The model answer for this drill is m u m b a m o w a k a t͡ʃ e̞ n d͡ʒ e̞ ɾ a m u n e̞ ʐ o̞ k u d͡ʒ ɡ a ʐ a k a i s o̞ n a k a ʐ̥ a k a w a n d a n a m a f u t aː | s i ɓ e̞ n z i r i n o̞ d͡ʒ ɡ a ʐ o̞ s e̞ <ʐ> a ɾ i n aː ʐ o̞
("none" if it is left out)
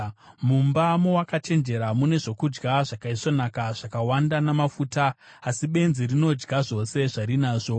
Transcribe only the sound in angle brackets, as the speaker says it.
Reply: ʐ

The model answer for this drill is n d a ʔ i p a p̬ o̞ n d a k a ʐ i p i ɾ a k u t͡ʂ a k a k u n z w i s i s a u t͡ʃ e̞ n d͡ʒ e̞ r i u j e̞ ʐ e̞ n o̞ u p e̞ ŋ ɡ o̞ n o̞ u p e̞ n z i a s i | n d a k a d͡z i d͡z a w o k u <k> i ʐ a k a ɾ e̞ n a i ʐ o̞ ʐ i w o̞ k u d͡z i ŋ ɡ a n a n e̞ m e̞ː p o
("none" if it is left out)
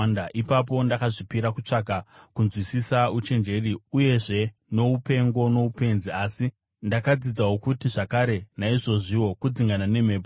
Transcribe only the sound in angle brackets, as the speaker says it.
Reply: t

